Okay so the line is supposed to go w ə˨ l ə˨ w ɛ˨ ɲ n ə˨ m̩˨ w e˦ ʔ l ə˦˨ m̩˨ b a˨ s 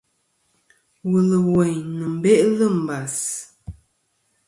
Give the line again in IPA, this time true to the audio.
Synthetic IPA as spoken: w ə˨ l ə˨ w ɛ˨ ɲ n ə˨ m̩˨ b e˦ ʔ l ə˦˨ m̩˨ b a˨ s

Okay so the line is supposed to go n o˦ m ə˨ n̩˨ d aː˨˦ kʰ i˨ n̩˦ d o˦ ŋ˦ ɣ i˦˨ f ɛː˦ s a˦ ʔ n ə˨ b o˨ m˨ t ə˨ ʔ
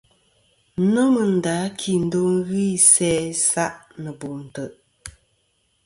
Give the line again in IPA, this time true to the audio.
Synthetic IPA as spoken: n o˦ m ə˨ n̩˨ d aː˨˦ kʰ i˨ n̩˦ d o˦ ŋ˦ ɣ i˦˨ s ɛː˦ s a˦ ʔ n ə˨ b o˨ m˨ t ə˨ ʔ

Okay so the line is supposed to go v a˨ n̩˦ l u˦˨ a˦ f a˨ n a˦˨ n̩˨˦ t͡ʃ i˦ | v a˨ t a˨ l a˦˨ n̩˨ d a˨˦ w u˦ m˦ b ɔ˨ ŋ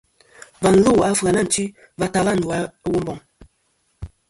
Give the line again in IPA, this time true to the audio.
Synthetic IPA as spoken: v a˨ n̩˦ l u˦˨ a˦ f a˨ n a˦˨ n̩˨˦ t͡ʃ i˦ | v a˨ t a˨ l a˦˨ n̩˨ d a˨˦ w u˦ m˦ b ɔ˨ ŋ

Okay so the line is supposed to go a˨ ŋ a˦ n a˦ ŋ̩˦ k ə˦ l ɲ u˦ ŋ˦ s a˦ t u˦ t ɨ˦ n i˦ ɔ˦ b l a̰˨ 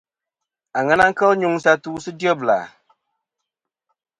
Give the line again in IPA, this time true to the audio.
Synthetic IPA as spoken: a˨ ŋ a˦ n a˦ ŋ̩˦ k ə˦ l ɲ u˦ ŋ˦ s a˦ t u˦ s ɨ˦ d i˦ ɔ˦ b l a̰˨

